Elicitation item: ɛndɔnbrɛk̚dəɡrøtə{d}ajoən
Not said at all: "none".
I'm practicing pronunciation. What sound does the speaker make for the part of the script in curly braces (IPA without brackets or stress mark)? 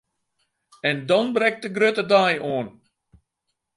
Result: d